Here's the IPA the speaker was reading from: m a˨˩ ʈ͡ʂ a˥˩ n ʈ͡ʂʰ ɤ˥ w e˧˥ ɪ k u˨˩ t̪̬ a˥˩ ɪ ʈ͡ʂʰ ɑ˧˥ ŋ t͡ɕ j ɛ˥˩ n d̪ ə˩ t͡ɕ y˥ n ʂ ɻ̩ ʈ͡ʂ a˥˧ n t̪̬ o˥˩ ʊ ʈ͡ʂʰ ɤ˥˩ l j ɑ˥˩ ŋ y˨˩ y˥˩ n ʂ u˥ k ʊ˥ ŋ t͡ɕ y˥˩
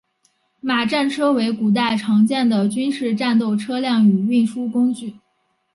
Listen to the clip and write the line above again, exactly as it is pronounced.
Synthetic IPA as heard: m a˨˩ ʈ͡ʂ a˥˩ n ʈ͡ʂʰ ɤ˥ w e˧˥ ɪ k u˨˩ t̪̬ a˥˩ ɪ ʈ͡ʂʰ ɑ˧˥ ŋ t͡ɕ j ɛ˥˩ n d̪ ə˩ t͡ɕ y˥ n ʂ ɻ̩ ʈ͡ʂ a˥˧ n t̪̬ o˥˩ ʊ ʈ͡ʂʰ ɤ˥ l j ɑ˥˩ ŋ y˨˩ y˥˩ n ʂ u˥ k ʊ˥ ŋ t͡ɕ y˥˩